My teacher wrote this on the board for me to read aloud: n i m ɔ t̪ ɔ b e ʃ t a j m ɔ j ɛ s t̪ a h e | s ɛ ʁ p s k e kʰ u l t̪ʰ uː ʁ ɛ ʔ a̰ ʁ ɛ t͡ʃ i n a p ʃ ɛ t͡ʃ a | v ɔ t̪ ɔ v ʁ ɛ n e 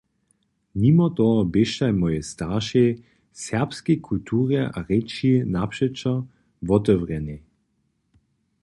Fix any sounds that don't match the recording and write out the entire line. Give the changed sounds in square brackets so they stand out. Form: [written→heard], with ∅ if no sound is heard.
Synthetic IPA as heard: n i m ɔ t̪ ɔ b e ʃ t a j m ɔ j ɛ s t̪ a [h→ʃ] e | s ɛ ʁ p s k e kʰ u l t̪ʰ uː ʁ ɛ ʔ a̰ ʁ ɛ t͡ʃ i n a p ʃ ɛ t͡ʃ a | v ɔ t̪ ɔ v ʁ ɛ n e